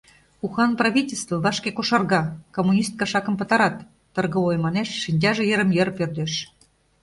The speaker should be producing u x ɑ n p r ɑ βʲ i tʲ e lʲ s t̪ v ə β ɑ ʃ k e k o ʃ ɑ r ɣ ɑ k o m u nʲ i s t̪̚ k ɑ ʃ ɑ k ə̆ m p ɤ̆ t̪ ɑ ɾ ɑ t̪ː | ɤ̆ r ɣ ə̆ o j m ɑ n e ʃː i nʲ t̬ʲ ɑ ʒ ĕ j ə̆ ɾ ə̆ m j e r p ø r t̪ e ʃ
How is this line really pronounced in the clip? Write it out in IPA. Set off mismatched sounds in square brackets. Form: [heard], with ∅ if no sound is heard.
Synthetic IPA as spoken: u x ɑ n p r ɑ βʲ i tʲ e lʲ s t̪ v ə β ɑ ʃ k e k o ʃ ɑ r ɣ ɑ k o m u nʲ i s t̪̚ k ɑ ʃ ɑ k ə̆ m p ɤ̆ t̪ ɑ ɾ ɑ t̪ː | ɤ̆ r ɣ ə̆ o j m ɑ n e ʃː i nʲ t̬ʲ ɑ ʒ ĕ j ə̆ ɾ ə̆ m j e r p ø r [d̪] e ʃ